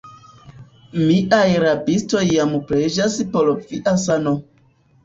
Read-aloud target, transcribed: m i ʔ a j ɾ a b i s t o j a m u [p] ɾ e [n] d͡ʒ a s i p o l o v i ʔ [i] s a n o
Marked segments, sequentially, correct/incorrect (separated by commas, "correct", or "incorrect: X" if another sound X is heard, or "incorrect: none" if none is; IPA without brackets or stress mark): correct, incorrect: none, incorrect: a